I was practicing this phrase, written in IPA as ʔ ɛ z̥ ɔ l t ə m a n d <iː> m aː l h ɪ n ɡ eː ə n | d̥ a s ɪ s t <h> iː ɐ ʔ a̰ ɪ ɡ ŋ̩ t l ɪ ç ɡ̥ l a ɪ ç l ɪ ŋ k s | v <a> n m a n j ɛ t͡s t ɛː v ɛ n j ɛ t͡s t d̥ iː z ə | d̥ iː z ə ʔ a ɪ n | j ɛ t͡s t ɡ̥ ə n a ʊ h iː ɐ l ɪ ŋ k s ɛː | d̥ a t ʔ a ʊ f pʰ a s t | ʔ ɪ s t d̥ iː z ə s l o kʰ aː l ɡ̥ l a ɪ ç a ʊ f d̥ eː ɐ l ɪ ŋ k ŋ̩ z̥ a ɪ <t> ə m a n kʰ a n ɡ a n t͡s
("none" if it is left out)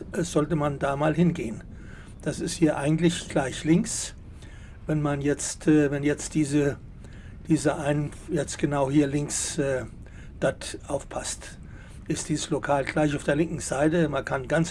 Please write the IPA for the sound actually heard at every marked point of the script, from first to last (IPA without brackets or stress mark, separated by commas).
aː, h, ɛ, t